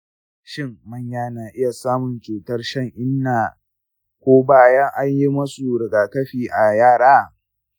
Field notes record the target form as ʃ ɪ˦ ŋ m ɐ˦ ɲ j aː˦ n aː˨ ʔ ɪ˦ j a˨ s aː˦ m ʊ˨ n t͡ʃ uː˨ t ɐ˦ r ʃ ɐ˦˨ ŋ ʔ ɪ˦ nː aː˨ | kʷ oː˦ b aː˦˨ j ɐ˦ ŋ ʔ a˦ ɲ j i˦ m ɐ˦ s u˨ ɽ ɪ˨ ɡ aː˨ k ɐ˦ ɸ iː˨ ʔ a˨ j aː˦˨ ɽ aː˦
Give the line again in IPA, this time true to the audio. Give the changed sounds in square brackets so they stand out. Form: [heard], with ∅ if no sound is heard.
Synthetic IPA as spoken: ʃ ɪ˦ ŋ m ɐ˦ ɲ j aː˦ n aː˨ ʔ ɪ˦ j a˨ s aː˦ m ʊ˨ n t͡ʃ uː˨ t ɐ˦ r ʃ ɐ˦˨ ŋ ʔ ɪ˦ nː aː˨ | kʷ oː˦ b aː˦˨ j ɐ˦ ŋ ʔ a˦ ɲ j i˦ m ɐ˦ s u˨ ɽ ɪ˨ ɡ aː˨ k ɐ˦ ɸ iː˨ ʔ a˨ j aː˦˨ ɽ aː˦